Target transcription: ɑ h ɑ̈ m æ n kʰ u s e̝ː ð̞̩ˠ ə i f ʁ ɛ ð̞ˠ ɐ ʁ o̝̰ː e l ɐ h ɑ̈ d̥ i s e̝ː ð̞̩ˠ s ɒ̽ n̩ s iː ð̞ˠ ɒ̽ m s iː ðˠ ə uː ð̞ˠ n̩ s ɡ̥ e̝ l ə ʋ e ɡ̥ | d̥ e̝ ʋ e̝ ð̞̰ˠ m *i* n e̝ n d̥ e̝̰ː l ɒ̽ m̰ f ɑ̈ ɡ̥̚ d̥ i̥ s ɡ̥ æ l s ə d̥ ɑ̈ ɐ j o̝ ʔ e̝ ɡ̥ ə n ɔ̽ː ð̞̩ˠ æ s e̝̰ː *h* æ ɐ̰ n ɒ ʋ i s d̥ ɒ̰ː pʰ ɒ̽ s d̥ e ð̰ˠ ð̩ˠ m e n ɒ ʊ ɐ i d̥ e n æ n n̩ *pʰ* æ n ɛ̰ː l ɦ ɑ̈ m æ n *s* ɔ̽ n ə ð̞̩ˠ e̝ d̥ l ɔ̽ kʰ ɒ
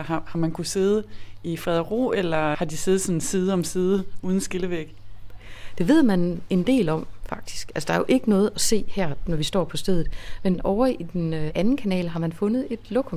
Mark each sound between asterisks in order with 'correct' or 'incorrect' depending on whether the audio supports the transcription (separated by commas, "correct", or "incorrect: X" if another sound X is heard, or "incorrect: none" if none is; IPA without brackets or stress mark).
incorrect: æ, correct, incorrect: kʰ, incorrect: f